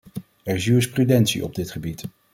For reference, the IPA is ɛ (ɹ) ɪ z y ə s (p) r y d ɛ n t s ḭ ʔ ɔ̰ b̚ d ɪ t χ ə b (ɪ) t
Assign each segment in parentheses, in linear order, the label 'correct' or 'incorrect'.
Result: correct, correct, incorrect

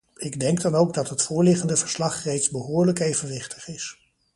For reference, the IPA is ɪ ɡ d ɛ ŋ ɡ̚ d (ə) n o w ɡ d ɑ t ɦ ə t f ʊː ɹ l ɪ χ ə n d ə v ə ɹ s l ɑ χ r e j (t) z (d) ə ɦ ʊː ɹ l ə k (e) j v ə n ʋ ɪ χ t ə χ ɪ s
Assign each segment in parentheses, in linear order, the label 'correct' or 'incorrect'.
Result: incorrect, correct, incorrect, correct

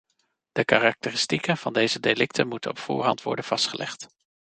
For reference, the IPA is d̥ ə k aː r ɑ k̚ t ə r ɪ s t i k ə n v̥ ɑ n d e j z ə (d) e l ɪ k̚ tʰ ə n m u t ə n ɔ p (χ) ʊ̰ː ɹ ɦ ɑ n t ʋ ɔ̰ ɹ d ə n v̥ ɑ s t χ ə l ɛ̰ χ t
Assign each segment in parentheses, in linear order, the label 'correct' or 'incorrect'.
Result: correct, incorrect

